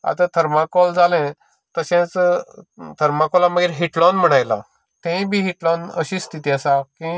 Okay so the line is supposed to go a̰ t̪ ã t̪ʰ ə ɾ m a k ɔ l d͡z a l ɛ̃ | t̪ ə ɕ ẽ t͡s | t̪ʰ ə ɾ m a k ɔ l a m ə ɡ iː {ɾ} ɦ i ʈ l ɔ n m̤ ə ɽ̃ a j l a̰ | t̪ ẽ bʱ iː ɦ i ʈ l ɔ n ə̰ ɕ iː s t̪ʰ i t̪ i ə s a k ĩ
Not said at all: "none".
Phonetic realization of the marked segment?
ɾ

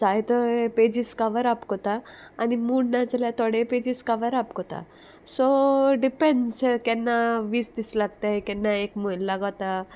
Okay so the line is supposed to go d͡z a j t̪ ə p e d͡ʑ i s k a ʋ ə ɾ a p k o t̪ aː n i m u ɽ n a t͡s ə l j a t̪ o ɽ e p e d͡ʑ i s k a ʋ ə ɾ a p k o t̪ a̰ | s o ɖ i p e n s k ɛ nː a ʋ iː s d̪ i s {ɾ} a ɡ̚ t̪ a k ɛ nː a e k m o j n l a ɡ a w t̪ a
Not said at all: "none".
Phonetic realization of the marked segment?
l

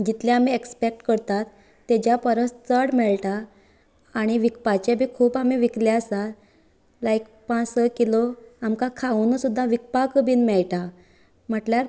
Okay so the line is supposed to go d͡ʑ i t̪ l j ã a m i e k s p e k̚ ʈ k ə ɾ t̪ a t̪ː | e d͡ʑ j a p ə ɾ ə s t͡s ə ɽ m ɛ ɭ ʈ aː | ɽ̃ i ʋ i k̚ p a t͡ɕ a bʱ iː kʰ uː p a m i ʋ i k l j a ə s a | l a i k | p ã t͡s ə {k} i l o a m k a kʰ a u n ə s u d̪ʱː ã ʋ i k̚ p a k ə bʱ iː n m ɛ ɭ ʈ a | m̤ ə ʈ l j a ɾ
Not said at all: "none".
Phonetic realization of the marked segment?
k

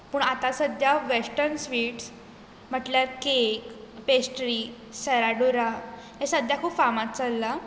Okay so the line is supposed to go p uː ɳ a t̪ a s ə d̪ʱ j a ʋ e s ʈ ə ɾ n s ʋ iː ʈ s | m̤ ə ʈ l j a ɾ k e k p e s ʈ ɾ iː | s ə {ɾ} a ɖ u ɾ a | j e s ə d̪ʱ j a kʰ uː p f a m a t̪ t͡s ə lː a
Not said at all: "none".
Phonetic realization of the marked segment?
ɾ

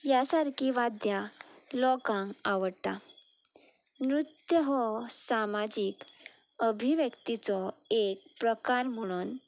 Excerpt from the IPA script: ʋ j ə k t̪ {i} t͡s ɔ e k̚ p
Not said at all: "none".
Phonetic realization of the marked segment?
i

